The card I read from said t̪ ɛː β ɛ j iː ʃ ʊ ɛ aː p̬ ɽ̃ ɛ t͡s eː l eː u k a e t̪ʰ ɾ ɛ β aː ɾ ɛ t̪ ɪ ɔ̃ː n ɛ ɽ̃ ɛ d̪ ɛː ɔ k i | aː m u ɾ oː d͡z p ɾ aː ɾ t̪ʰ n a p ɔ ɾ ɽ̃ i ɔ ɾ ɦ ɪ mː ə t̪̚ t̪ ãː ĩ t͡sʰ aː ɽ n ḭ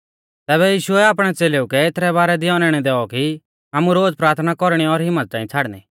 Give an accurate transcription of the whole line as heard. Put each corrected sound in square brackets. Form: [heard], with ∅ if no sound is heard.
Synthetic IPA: t̪ ɛː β ɛ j iː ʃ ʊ ɛ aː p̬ ɽ̃ ɛ t͡s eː l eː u k [ɛ] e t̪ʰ ɾ ɛ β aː ɾ ɛ [d̪] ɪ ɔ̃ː n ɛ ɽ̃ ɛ d̪ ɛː ɔ k i | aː m u ɾ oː d͡z p ɾ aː ɾ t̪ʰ n a [k] ɔ ɾ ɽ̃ i ɔ ɾ ɦ ɪ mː ə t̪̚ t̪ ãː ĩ t͡sʰ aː ɽ n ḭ